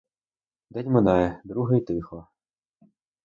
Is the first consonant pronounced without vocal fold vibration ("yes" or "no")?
no